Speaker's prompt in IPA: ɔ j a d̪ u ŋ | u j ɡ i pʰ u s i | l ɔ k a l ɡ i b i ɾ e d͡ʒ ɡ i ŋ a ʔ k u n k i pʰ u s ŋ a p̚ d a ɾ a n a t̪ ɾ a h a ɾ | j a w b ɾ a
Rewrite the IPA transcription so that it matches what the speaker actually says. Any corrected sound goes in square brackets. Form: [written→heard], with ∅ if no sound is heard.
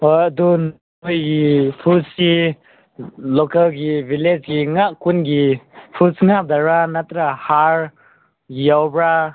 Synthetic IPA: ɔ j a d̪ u [ŋ→n] | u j ɡ i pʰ u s i | l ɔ k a l ɡ i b i [ɾ→l] e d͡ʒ ɡ i ŋ a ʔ k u n [k→ɡ] i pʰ u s ŋ a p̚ d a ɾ a n a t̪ ɾ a h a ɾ | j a w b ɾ a